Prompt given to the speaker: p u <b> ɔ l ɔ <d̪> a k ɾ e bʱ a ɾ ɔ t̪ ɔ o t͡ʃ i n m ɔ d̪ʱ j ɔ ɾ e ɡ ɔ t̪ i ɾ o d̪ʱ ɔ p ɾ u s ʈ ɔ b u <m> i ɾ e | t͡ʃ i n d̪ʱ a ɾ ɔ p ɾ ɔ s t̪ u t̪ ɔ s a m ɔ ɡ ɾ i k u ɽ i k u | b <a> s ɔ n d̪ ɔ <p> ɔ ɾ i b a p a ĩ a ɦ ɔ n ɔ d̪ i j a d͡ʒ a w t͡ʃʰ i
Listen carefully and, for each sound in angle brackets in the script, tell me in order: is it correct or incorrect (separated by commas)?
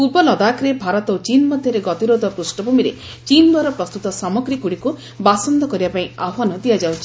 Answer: correct, correct, correct, correct, incorrect